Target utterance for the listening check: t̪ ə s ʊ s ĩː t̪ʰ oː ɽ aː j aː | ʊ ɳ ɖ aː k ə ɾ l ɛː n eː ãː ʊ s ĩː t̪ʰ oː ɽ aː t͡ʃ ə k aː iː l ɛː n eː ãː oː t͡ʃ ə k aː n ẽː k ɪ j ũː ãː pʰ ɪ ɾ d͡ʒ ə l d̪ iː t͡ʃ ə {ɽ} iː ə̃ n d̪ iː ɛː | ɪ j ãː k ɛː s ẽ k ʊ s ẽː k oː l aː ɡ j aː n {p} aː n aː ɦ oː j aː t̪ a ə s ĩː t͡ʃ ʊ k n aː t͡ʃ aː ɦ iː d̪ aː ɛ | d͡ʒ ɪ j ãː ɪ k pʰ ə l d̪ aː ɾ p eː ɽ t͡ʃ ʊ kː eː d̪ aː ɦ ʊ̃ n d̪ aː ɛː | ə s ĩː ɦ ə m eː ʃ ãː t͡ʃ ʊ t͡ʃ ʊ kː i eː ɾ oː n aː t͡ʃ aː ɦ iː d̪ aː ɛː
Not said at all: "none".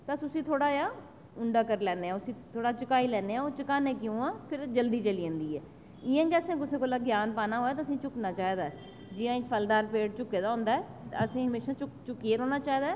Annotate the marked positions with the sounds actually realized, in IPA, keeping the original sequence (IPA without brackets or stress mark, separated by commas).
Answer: l, p